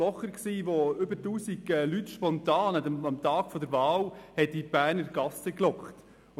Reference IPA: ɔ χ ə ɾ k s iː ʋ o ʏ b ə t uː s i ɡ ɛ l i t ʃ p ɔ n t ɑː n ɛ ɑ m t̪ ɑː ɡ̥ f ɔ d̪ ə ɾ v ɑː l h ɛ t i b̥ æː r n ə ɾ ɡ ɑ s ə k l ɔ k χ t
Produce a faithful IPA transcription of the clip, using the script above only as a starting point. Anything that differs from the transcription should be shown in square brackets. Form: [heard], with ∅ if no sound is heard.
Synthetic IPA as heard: ɔ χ ə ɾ k s iː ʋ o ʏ b ə t uː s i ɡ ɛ l [y] t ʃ p ɔ n t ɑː n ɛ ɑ m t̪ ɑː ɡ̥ f ɔ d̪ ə ɾ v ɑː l h ɛ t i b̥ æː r n ə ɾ ɡ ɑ s ə k l ɔ k χ t